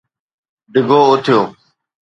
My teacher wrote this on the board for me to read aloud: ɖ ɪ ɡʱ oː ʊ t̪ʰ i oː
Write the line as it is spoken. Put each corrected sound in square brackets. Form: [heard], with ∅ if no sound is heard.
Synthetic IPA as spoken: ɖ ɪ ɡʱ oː ʊ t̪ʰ [j] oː